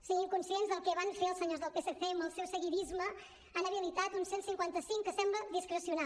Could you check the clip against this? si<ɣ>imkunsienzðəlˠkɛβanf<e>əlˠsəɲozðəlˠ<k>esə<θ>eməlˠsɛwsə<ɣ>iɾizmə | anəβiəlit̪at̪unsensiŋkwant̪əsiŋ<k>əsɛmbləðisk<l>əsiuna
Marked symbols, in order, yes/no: yes, yes, no, yes, yes, yes, no

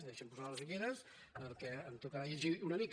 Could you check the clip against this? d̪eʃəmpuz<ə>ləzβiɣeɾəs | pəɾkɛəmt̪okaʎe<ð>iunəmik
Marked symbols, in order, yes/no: no, no

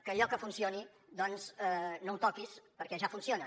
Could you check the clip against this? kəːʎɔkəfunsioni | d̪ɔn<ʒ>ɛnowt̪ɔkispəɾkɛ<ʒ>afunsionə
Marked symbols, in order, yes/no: no, yes

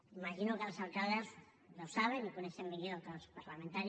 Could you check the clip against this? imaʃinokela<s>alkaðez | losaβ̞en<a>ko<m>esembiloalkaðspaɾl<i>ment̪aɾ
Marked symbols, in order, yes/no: yes, no, no, no

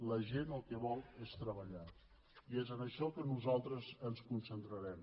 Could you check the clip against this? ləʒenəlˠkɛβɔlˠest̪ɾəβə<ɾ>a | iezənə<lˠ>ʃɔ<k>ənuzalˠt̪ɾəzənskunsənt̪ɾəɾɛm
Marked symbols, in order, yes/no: no, no, yes

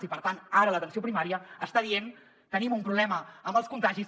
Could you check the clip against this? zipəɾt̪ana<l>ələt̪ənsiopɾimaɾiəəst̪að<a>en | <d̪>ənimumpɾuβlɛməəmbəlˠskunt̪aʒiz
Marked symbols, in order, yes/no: no, no, no

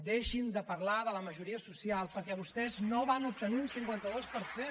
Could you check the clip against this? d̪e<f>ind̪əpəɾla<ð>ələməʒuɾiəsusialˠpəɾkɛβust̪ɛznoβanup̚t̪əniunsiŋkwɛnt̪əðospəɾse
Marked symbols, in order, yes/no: no, yes

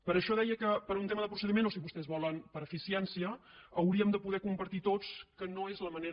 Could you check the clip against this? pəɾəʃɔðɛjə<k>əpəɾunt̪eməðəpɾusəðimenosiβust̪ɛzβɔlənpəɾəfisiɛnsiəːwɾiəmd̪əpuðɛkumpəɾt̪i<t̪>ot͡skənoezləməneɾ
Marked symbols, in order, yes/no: yes, yes

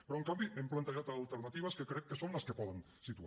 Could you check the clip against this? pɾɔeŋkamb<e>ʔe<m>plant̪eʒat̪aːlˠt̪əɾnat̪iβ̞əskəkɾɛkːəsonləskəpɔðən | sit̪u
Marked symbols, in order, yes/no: no, yes

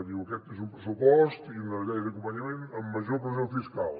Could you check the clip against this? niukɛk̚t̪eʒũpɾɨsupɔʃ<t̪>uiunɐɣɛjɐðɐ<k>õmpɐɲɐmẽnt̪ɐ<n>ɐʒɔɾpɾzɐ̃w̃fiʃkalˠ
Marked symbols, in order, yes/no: yes, yes, no

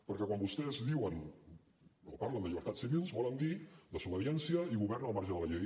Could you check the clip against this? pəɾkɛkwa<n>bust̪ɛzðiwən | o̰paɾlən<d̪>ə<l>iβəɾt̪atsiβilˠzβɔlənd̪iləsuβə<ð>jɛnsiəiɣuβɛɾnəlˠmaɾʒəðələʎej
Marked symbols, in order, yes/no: no, yes, no, yes

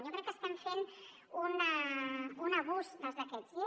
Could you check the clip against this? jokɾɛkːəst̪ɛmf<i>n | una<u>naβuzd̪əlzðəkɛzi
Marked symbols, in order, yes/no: no, yes

